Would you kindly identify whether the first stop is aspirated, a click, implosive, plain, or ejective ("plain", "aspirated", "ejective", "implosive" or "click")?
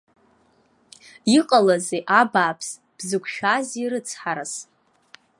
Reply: ejective